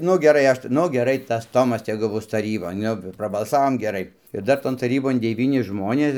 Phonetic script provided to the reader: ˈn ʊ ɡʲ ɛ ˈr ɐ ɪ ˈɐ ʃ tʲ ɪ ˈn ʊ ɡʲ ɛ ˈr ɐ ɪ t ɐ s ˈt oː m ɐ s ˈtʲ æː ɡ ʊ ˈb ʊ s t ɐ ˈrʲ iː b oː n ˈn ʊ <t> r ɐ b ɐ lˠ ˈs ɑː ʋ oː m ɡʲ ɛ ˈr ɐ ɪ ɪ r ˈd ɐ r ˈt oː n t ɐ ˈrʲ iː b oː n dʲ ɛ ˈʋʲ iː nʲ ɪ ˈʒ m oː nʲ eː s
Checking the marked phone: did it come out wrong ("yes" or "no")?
yes